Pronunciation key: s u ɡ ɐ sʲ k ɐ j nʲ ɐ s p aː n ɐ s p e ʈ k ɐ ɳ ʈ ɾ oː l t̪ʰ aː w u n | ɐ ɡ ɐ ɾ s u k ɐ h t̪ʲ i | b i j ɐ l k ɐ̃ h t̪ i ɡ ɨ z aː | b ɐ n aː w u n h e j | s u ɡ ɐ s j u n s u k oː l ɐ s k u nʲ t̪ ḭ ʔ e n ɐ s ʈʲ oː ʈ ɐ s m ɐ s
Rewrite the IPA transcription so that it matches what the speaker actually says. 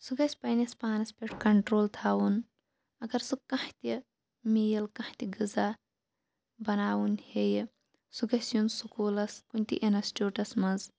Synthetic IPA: s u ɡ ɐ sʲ p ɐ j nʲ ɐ s p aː n ɐ s p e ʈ k ɐ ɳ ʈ ɾ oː l t̪ʰ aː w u n | ɐ ɡ ɐ ɾ s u k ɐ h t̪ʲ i | m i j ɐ l k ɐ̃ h t̪ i ɡ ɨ z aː | b ɐ n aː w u n h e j | s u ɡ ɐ s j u n s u k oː l ɐ s k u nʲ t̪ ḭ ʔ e n ɐ s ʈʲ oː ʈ ɐ s m ɐ z

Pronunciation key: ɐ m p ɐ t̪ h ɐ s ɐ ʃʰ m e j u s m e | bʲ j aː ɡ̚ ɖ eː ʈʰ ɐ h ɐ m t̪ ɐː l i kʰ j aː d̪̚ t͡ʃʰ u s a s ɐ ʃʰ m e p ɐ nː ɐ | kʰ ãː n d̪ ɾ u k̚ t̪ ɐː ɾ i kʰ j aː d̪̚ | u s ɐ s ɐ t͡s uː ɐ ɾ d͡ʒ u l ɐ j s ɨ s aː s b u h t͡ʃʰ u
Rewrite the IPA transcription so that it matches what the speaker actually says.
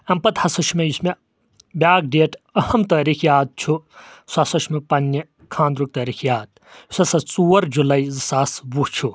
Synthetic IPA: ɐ m p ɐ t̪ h ɐ s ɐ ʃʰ m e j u s m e | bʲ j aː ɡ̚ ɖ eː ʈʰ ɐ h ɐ m t̪ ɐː ɾ i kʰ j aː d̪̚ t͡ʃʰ u s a s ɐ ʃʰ m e p ɐ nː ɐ | kʰ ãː n d̪ ɾ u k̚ t̪ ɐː ɾ i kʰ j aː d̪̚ | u s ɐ s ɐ t͡s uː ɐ ɾ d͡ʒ u l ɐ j z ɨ s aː s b u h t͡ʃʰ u

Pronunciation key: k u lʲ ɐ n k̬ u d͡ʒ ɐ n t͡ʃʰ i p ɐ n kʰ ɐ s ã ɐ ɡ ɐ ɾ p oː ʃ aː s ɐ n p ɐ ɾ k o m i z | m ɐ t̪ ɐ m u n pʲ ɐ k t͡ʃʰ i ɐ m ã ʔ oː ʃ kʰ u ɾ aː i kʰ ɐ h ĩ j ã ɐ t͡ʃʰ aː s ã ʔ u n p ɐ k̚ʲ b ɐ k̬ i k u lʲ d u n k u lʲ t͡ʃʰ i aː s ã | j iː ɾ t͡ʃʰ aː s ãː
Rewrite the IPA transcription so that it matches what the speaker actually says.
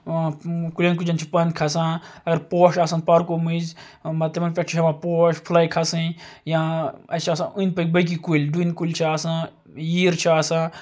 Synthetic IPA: k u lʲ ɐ n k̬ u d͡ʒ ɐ n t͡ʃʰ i p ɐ n kʰ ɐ s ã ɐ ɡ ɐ ɾ p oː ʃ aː s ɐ n p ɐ ɾ k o m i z | m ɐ t̪ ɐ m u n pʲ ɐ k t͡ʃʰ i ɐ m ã p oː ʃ pʰ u l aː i kʰ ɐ s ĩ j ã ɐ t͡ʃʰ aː s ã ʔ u n p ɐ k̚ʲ b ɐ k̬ i k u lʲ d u n k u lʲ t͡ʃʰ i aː s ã | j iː ɾ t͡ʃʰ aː s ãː

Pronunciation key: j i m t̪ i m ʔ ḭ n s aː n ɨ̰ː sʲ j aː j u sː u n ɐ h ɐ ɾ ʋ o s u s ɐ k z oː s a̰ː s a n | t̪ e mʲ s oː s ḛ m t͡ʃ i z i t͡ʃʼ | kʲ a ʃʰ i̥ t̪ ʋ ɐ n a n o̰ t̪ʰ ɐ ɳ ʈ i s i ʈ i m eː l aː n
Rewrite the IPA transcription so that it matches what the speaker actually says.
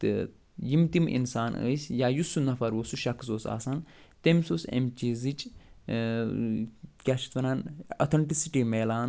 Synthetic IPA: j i m t̪ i m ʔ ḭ n s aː n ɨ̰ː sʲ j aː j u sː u n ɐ f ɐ ɾ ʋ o s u ʃ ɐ k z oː s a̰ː s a n | t̪ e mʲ s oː s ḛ m t͡ʃ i z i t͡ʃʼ | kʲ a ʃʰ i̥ t̪ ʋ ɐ n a n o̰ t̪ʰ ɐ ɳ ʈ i s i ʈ i m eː l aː n

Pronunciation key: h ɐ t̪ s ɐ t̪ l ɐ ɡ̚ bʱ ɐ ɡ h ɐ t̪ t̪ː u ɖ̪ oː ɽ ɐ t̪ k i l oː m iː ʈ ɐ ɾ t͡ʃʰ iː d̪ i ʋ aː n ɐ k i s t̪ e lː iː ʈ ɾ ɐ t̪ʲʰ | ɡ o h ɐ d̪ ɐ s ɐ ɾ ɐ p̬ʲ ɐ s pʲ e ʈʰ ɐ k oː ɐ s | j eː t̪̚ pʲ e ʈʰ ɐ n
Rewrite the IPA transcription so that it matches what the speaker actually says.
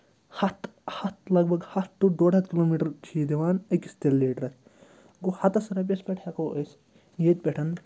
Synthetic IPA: h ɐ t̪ h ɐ t̪ l ɐ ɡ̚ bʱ ɐ ɡ h ɐ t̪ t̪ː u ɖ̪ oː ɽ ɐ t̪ k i l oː m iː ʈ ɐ ɾ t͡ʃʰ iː d̪ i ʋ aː n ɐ k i s t̪ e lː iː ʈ ɾ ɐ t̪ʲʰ | ɡ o h ɐ t̪ ɐ s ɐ ɾ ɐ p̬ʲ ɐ s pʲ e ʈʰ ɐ k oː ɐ s | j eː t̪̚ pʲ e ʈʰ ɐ n

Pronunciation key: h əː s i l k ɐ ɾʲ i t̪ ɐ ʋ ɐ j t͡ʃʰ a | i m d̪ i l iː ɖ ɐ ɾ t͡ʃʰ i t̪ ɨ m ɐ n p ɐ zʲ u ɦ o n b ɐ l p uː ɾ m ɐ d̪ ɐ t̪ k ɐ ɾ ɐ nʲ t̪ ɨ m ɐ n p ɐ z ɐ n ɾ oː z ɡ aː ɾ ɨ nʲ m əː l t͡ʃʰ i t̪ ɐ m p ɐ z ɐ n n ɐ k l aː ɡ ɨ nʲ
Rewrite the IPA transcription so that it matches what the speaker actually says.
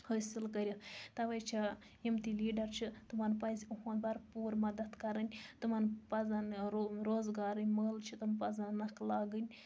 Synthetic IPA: h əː s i l k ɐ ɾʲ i t̪ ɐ ʋ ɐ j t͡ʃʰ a | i m t̪ i l iː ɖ ɐ ɾ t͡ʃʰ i t̪ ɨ m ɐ n p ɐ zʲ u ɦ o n b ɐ ɾ p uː ɾ m ɐ d̪ ɐ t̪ k ɐ ɾ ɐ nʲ t̪ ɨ m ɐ n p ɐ z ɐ n ɾ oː z ɡ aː ɾ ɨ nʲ m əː l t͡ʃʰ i t̪ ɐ m p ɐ z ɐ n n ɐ k l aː ɡ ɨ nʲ

